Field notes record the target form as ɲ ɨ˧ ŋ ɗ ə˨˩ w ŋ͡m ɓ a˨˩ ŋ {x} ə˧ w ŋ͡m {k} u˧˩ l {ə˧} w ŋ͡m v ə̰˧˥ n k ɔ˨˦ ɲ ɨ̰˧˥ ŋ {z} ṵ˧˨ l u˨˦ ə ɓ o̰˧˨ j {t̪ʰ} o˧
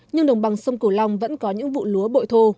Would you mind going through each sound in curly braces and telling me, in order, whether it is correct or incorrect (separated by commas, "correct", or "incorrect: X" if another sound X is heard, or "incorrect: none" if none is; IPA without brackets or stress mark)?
incorrect: s, correct, incorrect: a˧, incorrect: v, correct